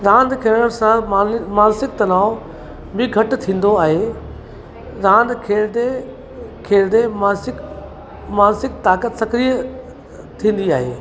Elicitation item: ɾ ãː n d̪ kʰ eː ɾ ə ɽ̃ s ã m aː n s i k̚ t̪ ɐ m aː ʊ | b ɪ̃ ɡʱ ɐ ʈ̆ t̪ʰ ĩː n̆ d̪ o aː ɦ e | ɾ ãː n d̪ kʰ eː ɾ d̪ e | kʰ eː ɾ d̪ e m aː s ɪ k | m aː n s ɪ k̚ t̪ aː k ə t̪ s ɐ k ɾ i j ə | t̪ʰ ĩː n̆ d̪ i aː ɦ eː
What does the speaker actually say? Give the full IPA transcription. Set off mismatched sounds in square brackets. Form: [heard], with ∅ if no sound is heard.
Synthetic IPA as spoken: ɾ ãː n d̪ kʰ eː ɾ ə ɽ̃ s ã m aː n s [ɪ] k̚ t̪ ɐ [n] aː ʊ | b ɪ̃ ɡʱ ɐ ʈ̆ t̪ʰ ĩː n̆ d̪ o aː ɦ e | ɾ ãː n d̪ kʰ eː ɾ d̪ e | kʰ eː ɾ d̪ e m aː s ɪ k | m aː n s ɪ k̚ t̪ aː k ə t̪ s ɐ k ɾ i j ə | t̪ʰ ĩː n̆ d̪ i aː ɦ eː